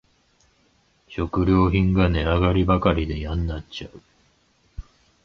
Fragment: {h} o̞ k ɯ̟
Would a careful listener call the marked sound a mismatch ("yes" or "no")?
yes